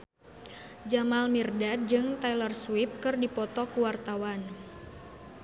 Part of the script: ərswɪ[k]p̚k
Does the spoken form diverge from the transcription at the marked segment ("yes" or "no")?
yes